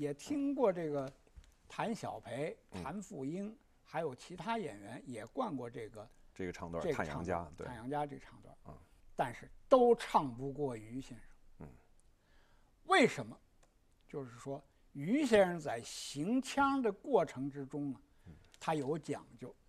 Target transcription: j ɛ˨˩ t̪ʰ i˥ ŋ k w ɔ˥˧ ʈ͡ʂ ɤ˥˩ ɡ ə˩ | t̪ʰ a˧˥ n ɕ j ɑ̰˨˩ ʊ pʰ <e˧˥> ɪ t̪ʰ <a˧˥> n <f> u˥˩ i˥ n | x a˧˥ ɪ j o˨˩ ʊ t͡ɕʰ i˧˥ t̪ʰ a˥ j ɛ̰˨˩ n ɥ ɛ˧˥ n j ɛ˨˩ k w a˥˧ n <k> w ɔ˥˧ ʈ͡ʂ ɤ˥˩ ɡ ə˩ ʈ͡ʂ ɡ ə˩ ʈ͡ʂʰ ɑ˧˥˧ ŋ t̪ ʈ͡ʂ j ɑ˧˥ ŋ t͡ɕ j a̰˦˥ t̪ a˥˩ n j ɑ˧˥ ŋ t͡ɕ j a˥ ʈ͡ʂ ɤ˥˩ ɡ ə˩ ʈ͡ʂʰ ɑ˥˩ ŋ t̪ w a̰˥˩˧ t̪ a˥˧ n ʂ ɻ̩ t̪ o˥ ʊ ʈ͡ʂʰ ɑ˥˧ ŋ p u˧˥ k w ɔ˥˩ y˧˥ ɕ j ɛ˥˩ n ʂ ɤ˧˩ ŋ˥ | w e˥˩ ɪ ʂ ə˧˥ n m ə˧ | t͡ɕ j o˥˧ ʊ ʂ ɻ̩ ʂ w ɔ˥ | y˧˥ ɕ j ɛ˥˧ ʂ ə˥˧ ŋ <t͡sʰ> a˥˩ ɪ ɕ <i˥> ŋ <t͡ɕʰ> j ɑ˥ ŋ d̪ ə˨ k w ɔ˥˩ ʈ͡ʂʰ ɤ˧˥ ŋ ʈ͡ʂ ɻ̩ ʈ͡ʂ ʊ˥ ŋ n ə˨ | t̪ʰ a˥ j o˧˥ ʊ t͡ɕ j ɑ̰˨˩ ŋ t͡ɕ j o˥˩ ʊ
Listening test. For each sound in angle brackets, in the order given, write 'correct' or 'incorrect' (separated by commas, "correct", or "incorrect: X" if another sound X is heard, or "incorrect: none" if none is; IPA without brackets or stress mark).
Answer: correct, correct, correct, correct, incorrect: t͡s, incorrect: i˧˥, correct